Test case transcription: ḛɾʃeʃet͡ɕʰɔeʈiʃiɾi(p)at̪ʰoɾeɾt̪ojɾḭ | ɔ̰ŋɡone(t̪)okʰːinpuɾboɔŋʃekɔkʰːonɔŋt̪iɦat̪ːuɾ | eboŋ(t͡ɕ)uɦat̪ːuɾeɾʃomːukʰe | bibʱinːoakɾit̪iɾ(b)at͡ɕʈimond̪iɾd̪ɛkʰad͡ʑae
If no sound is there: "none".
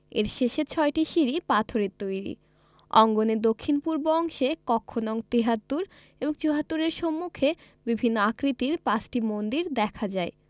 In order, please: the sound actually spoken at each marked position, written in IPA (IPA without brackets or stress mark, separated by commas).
p, d̪, t͡ɕ, p